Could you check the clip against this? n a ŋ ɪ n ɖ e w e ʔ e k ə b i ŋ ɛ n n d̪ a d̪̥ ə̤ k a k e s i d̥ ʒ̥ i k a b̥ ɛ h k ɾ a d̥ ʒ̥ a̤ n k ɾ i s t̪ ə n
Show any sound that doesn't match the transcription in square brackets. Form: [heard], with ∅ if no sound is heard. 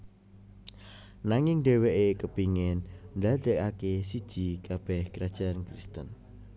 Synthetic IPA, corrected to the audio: n a ŋ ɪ [ŋ] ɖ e w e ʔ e k ə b i ŋ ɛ n n d̪ a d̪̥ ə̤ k a k e s i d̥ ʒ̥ i k a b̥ ɛ h k ɾ a d̥ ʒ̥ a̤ n k ɾ i s t̪ ə n